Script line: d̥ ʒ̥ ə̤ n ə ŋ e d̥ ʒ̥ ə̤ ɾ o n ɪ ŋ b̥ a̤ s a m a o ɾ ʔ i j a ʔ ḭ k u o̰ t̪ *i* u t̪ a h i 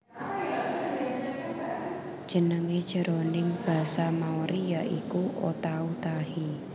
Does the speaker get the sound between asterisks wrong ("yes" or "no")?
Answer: yes